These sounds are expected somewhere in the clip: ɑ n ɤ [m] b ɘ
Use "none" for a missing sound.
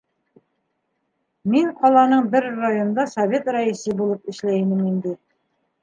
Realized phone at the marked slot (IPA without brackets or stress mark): ɴ